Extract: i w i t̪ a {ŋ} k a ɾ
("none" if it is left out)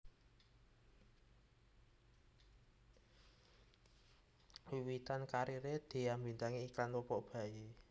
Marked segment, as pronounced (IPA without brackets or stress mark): n